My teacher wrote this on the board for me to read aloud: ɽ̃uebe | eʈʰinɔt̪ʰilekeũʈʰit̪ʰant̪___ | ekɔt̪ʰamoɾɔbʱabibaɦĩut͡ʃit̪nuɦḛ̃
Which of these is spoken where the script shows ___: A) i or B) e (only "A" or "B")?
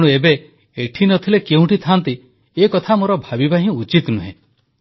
A